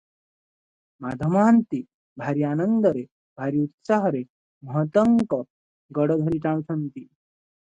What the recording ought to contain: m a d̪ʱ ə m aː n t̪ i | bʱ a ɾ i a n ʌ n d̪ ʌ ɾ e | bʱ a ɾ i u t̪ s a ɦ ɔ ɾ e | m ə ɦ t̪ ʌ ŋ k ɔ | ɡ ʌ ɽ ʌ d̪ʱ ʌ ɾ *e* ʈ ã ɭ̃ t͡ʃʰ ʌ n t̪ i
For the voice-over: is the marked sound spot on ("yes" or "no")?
no